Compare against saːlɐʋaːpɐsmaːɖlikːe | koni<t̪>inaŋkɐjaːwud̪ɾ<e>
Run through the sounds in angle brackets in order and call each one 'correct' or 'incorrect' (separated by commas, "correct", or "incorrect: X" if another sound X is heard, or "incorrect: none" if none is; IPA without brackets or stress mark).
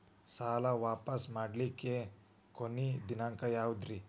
incorrect: d̪, incorrect: i